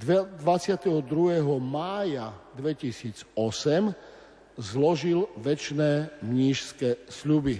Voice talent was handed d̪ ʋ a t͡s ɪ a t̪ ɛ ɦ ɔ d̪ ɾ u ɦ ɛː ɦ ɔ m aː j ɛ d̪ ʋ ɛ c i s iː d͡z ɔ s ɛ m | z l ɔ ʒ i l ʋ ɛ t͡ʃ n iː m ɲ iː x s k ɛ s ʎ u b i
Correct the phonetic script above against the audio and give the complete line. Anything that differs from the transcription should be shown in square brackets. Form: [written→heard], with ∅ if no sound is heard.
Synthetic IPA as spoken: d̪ ʋ a t͡s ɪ a t̪ ɛ ɦ ɔ d̪ ɾ u ɦ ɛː ɦ ɔ m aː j [ɛ→a] d̪ ʋ ɛ c i s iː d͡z ɔ s ɛ m | z l ɔ ʒ i l ʋ ɛ t͡ʃ n [iː→ɛː] m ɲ iː [x→ʃ] s k ɛ s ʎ u b i